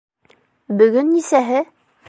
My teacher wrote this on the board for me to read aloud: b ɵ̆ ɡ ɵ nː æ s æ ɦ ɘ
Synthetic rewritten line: b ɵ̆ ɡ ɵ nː i s æ ɦ ɘ